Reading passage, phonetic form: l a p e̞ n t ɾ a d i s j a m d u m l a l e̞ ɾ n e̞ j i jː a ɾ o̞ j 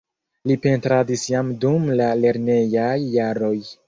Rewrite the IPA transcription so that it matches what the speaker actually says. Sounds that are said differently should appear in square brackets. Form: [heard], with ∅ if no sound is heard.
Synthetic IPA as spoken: l [i] p e̞ n t ɾ a d i s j a m d u m l a l e̞ ɾ n e̞ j [a] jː a ɾ o̞ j